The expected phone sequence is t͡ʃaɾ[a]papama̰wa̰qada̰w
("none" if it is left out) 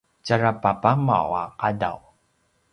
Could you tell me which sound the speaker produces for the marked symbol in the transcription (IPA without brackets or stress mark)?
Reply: a